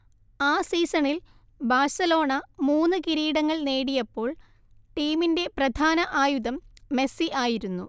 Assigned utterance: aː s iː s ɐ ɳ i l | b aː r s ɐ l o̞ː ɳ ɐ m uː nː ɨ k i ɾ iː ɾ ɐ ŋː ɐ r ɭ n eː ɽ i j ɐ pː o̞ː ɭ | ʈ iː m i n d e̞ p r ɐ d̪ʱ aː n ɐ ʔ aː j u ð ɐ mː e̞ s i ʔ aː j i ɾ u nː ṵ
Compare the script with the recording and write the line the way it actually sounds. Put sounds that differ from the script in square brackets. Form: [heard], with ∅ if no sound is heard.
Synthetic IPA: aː s iː s ɐ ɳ i l | b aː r s ɐ l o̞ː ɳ ɐ m uː nː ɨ k i ɾ iː [ɽ] ɐ ŋː ɐ [∅] ɭ n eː ɽ i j ɐ pː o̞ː ɭ | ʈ iː m i n d e̞ p r ɐ d̪ʱ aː n ɐ ʔ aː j u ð ɐ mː e̞ s i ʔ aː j i ɾ u nː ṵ